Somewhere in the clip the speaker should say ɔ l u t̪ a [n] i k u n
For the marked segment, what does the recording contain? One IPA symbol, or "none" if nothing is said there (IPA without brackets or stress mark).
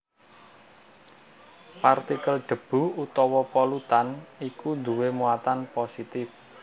n